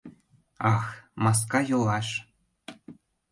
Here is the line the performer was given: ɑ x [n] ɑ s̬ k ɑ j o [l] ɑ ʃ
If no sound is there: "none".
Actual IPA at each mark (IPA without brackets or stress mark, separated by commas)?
m, l